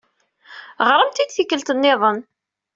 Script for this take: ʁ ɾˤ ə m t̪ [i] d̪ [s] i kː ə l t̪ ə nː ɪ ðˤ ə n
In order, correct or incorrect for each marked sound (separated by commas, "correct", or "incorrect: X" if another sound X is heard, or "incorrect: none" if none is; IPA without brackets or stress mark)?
correct, incorrect: θ